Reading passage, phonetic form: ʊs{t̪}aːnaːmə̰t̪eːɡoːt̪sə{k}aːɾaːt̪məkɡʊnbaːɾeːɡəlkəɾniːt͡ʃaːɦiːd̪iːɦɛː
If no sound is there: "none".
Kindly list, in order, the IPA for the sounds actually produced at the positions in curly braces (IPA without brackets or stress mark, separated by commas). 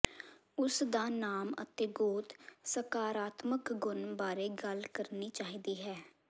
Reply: d̪, k